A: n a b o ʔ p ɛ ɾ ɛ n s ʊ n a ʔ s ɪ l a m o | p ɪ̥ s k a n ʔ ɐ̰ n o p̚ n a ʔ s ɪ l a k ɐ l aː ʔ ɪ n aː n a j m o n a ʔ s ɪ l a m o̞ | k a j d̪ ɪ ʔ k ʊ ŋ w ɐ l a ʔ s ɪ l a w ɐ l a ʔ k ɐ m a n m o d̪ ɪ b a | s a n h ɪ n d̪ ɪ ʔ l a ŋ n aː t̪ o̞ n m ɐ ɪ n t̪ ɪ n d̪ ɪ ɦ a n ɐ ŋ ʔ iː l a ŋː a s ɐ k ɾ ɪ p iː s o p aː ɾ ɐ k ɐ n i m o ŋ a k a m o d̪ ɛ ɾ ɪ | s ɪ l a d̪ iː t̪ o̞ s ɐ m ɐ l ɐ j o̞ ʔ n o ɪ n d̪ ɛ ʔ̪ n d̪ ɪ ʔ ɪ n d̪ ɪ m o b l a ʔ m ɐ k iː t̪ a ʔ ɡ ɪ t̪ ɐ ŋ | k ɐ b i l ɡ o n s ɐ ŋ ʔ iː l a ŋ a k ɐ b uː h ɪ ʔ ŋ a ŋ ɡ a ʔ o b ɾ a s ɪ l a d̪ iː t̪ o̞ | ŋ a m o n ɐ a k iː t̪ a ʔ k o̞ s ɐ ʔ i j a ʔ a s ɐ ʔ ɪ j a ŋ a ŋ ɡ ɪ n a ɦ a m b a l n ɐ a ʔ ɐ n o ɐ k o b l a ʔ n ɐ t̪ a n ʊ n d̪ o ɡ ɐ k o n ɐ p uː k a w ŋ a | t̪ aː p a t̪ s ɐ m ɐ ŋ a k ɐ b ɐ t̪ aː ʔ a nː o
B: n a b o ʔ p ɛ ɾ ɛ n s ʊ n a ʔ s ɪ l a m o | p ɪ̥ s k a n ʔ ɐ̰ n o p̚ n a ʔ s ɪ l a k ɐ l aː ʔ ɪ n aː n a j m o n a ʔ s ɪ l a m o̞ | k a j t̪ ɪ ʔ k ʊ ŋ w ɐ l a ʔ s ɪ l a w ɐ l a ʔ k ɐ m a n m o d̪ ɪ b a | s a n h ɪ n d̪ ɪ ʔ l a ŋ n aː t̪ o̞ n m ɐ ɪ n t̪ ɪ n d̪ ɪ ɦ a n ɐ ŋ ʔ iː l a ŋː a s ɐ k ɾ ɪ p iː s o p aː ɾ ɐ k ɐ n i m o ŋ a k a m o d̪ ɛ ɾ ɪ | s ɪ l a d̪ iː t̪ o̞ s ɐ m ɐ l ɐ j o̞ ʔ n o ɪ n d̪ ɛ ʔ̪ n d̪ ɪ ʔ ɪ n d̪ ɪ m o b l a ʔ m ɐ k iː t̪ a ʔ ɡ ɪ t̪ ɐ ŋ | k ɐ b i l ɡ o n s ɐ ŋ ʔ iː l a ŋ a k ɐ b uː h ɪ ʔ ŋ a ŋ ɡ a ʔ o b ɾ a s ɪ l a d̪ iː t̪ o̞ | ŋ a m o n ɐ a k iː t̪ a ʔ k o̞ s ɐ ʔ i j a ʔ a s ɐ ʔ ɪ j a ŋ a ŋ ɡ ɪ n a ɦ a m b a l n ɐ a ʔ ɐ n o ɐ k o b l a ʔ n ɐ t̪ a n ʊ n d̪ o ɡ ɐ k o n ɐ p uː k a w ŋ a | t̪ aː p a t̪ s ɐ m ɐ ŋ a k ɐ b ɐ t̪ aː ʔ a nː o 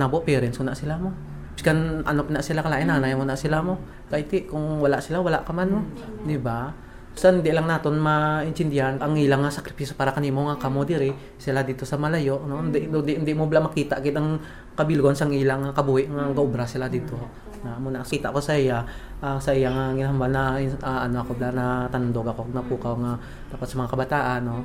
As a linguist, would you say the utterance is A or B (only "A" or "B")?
B